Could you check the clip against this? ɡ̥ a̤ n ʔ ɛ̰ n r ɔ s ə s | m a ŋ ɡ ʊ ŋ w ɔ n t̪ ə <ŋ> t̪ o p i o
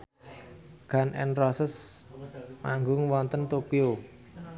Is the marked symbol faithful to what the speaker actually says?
no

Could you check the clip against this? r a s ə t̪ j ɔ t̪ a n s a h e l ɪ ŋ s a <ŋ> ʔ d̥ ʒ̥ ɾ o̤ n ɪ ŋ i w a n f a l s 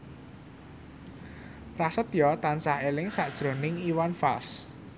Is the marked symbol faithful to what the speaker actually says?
no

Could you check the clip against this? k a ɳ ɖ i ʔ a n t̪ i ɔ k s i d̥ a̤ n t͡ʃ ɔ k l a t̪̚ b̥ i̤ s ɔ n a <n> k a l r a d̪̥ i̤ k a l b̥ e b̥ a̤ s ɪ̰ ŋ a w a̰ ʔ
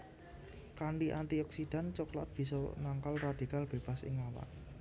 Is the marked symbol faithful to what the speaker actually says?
no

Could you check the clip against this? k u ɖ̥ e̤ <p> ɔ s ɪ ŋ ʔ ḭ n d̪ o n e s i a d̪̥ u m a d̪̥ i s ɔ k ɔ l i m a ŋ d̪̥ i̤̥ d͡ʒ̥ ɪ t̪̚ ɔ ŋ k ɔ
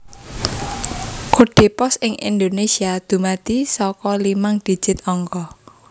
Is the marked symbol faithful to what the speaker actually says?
yes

